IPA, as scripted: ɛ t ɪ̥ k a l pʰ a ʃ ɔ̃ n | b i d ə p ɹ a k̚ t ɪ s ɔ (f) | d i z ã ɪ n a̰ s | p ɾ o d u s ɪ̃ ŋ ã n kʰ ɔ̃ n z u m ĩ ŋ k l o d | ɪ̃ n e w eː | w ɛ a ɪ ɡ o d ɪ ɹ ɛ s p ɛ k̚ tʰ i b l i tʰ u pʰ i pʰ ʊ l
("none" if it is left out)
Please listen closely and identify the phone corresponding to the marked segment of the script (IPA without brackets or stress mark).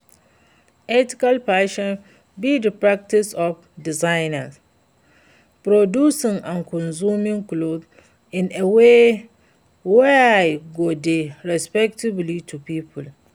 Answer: f